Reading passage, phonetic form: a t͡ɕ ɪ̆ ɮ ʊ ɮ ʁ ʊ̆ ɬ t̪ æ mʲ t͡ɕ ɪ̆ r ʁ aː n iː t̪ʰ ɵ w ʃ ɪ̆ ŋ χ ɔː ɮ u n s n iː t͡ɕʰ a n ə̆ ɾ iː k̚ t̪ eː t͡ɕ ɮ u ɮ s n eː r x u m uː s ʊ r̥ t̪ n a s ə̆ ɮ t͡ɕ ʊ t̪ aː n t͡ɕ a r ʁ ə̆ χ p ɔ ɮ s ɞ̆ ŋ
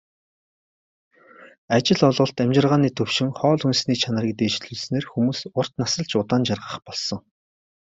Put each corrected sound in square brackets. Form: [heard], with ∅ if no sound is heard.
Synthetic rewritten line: a t͡ɕ ɪ̆ ɮ ʊ ɮ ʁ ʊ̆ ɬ t̪ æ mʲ t͡ɕ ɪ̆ r ʁ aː n iː t̪ʰ ɵ w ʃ ɪ̆ ŋ χ ɔː ɮ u n s n iː t͡ɕʰ a n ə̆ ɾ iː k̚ t̪ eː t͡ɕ ɮ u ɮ s n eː r x u m uː s ʊ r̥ t̪ n a s ə̆ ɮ t͡ɕ ʊ t̪ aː n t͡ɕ a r ʁ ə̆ χ p ɔ ɮ s ɞ̆ ŋ